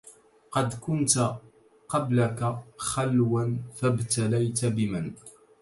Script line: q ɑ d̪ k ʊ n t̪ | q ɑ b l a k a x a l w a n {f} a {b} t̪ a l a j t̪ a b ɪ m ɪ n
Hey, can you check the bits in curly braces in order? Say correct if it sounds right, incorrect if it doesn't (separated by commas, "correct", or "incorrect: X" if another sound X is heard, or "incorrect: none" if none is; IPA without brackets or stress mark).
correct, correct